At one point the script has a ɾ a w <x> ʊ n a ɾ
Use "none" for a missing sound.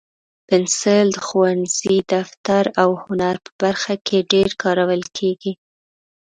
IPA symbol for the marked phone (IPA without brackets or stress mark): h